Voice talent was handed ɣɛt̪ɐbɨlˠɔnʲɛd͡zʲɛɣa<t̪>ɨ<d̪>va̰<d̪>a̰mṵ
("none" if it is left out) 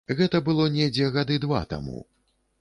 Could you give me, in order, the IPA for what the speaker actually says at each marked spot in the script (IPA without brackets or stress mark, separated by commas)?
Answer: d̪, d̪, t̪